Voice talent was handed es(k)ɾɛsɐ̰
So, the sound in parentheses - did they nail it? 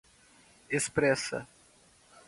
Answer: no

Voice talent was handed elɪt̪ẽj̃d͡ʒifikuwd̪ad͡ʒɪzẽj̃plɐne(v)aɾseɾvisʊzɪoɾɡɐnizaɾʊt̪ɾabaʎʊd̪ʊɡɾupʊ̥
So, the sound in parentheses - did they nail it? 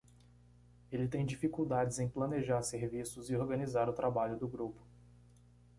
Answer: no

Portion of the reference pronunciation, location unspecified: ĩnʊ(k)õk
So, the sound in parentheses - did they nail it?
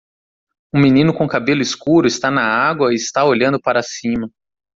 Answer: yes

